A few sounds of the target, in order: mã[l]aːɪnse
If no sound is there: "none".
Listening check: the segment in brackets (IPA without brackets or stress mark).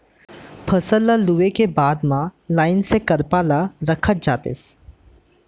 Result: l